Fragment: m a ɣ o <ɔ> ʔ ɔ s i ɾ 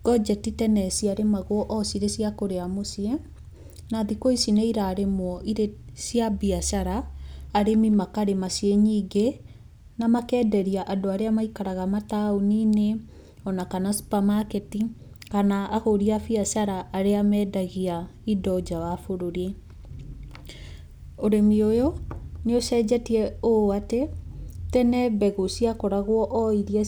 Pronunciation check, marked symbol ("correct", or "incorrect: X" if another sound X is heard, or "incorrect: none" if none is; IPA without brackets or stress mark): correct